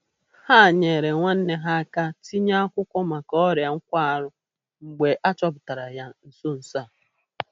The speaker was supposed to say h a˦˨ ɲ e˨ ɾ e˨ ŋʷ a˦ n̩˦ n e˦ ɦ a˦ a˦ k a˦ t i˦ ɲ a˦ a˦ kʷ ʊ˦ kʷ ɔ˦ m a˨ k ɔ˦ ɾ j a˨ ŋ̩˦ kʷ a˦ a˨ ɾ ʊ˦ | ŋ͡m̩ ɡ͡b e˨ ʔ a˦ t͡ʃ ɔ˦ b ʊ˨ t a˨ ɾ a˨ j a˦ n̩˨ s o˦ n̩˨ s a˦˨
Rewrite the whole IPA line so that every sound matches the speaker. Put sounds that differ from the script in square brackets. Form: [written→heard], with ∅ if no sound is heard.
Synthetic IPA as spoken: h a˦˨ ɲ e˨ ɾ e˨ ŋʷ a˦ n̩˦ n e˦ ɦ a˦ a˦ k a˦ t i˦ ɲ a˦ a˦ kʷ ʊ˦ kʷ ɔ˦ m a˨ k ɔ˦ ɾ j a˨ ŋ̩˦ kʷ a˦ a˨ ɾ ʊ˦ | ŋ͡m̩ ɡ͡b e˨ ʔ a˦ t͡ʃ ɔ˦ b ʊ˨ t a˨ ɾ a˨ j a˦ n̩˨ s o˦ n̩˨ s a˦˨